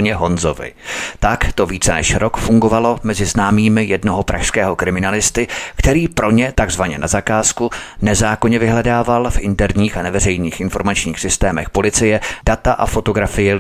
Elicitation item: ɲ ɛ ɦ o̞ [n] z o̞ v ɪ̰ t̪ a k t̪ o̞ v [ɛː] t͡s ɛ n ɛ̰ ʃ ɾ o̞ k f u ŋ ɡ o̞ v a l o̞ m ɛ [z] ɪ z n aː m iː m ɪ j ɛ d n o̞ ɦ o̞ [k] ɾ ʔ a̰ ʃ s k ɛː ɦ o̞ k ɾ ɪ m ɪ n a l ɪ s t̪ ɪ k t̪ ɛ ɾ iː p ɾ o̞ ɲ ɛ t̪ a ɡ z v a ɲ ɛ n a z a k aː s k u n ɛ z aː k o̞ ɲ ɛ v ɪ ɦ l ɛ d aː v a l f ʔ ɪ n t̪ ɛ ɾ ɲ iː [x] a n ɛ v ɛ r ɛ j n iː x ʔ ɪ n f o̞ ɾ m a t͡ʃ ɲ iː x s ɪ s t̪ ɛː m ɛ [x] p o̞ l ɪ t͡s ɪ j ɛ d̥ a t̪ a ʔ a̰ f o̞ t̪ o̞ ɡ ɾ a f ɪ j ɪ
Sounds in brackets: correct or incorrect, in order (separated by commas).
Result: correct, incorrect, correct, incorrect, correct, correct